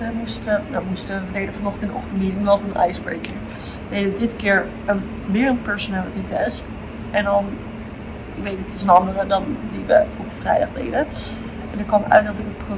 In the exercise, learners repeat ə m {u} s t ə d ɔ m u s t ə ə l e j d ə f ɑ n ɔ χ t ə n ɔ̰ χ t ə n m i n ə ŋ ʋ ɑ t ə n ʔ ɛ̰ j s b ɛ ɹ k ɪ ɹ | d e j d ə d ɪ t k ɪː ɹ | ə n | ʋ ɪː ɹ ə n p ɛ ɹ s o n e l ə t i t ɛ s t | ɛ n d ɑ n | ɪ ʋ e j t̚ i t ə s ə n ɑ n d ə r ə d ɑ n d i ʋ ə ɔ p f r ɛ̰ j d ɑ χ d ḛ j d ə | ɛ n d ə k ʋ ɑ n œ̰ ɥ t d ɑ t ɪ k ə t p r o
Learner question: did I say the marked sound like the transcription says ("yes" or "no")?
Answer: yes